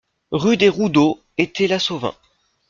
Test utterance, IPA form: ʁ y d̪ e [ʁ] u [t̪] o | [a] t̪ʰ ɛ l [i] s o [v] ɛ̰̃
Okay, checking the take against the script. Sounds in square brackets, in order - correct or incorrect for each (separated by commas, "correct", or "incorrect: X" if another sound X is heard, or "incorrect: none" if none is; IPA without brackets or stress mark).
correct, incorrect: d̪, incorrect: e, incorrect: a, correct